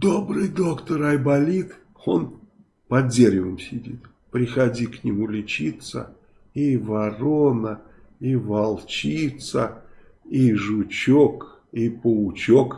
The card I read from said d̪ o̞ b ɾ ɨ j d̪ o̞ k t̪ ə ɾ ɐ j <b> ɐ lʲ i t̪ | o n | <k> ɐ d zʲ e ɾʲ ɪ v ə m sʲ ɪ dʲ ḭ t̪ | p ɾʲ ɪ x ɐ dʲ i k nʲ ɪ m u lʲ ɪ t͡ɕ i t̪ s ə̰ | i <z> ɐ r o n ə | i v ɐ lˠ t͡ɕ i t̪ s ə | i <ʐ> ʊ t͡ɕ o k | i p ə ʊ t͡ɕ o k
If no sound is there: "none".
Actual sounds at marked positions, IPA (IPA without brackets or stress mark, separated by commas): b, p, v, ʐ